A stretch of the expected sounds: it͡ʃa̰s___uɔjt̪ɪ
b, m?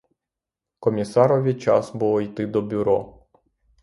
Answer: b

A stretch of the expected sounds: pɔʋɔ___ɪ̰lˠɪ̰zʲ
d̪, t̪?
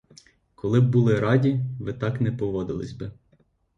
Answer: d̪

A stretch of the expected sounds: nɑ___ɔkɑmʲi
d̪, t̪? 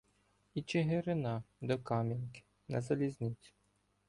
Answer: d̪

